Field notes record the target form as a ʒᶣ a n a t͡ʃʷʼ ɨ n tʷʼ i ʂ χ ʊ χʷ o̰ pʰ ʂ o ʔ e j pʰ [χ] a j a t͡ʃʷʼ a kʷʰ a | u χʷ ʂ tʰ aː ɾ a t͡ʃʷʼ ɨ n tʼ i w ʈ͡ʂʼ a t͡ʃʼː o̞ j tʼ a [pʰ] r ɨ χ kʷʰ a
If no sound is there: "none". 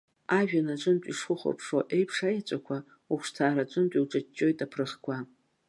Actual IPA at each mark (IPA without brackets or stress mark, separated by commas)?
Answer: ʂ, pʰ